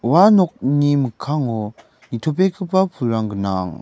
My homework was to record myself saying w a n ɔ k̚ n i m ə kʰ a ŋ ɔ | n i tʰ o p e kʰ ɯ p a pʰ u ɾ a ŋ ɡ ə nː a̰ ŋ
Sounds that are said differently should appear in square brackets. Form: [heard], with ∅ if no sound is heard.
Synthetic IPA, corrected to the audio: w a n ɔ k̚ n i m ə kʰ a ŋ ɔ | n i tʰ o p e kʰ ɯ p a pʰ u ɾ a ŋ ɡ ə [n] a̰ ŋ